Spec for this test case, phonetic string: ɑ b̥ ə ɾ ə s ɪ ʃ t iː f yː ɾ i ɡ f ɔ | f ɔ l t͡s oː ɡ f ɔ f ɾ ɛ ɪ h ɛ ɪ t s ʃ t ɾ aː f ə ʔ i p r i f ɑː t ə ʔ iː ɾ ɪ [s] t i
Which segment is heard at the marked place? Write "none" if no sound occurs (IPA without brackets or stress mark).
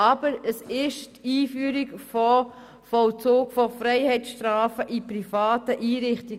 χ